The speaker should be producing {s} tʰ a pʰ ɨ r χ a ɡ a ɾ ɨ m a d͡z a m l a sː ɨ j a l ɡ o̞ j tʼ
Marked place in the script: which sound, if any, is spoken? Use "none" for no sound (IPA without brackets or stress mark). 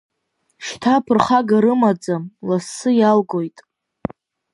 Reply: ʃ